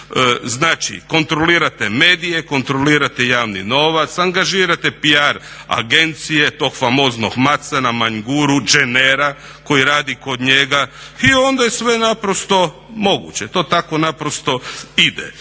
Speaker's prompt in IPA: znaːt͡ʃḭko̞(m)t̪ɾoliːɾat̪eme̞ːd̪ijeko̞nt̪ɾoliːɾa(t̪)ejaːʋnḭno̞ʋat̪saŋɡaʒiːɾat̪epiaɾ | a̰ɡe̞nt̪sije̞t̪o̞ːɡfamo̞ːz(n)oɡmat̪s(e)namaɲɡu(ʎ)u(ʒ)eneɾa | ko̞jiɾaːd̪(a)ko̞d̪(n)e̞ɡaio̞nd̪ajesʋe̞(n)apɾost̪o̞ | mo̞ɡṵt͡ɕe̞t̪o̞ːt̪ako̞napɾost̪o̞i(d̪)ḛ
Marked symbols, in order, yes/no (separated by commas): no, yes, yes, no, no, no, no, no, yes, yes